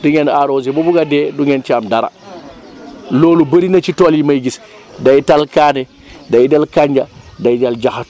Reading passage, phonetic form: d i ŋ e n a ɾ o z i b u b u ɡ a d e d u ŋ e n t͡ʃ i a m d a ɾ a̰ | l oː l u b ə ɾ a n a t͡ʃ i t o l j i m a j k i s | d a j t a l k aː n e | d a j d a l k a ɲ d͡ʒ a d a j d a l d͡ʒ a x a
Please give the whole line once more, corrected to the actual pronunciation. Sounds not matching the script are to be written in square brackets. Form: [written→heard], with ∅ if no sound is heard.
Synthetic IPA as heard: d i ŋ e n a ɾ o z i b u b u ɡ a d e d u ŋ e n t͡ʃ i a m d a ɾ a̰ | l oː l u b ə ɾ [a→i] n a t͡ʃ i t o l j i m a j [k→ɡ] i s | d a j t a l k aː n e | d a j d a l k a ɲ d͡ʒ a d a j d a l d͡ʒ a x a